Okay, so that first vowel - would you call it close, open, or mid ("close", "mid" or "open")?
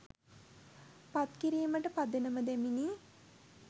open